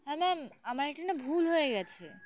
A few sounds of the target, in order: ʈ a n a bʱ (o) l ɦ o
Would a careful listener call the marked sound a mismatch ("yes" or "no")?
yes